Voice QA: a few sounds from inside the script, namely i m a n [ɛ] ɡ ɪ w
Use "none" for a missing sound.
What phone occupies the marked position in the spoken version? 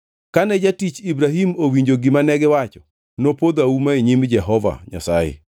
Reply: ɛ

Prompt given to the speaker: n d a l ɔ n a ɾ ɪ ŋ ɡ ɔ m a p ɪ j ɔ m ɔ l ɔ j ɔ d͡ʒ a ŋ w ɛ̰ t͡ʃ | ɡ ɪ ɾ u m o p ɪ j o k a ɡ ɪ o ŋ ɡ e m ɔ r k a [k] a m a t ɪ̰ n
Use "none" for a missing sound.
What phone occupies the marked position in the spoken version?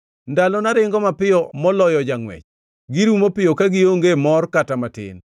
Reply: t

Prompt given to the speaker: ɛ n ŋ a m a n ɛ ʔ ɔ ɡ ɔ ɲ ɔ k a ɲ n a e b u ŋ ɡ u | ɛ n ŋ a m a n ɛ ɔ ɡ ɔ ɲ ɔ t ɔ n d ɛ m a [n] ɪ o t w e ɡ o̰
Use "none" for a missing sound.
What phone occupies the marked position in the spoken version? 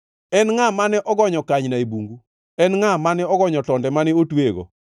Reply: n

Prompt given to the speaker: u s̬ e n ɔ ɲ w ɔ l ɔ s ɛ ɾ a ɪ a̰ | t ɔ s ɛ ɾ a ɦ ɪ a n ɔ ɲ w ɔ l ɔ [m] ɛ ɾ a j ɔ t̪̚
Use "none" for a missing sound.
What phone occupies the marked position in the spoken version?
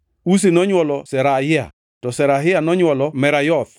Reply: m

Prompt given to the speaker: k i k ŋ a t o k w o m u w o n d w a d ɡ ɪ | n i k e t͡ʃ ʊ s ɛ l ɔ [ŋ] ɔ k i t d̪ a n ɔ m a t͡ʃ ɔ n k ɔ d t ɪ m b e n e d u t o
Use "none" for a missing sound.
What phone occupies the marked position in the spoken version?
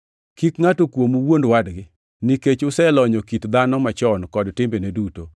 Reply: ɲ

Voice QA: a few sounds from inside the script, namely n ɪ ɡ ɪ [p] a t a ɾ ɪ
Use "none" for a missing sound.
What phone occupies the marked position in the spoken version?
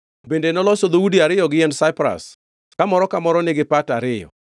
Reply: p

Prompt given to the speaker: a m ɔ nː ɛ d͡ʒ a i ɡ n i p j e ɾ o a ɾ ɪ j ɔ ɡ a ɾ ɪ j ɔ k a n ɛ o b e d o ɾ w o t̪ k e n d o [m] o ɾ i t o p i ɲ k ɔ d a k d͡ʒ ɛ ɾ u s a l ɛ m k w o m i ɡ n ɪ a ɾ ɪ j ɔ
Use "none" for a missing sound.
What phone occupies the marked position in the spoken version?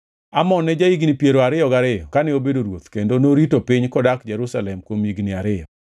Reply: n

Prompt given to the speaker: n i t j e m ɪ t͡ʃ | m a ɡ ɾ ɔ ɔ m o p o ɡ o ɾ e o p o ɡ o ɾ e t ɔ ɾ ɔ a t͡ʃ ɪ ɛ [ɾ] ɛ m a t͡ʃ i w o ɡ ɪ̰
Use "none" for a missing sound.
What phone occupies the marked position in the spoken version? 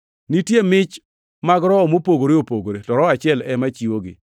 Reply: l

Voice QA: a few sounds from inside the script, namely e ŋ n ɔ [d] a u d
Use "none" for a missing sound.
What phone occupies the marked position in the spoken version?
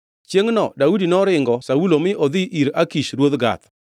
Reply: d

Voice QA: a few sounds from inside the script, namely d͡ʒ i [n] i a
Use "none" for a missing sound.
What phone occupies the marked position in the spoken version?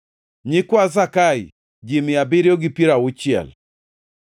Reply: m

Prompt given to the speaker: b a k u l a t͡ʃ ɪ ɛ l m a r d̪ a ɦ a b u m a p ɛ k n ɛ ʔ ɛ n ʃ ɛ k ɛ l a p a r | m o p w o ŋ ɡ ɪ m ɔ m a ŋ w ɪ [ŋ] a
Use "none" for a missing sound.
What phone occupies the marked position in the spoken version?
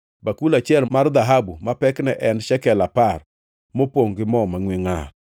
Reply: ŋ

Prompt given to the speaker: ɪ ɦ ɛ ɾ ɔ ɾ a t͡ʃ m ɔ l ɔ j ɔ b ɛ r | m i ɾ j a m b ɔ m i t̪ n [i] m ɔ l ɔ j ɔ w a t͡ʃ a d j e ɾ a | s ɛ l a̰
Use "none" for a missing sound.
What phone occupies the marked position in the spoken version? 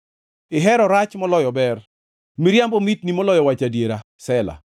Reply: i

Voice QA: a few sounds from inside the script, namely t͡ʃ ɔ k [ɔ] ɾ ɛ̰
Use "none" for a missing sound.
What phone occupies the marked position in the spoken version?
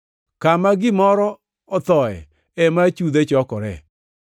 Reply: ɔ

